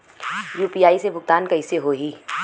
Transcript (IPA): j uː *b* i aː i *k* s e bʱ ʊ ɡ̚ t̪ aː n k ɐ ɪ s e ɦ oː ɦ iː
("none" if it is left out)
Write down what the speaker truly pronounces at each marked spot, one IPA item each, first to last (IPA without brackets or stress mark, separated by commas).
p, none